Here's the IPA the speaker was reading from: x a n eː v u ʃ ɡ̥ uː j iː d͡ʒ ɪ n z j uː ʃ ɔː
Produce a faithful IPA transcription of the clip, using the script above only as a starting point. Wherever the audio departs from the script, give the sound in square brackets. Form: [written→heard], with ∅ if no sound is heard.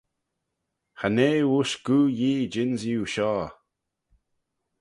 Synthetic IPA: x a n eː [v→w] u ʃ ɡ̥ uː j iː d͡ʒ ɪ n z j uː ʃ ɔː